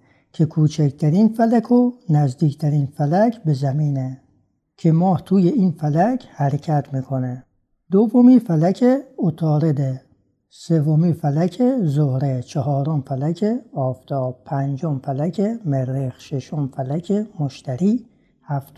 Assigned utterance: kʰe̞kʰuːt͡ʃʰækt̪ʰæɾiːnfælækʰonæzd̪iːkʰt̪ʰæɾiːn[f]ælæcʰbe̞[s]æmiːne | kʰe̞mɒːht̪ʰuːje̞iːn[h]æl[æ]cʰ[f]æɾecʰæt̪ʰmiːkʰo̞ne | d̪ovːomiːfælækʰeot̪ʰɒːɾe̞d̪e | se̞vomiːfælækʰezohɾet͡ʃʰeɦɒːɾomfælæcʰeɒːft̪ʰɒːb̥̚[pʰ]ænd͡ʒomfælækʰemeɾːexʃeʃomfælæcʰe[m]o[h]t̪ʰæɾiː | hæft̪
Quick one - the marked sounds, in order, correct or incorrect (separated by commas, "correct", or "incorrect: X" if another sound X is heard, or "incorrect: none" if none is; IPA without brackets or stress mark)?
correct, incorrect: z, incorrect: f, correct, incorrect: h, correct, correct, incorrect: ʃ